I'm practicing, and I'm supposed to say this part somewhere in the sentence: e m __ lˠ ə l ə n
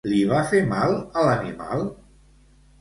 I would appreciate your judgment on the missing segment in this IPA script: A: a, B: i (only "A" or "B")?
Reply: A